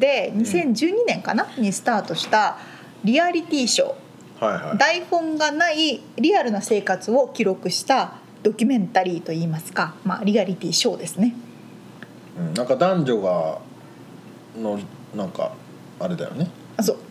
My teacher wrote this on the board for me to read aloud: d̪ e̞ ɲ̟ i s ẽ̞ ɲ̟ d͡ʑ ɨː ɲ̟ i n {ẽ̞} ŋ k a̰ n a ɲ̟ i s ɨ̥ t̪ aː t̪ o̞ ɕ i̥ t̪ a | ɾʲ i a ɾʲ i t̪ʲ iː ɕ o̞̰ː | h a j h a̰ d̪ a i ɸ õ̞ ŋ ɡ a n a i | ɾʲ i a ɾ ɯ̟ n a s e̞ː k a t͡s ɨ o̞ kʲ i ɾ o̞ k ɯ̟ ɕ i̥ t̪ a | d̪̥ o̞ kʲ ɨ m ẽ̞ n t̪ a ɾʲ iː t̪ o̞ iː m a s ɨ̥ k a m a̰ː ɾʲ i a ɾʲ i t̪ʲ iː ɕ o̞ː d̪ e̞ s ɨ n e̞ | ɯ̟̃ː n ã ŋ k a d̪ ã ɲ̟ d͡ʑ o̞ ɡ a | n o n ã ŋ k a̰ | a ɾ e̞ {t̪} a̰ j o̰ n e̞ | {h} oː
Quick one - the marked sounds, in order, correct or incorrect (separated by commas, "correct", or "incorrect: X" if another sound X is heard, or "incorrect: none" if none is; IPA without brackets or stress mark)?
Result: correct, incorrect: d̪, incorrect: s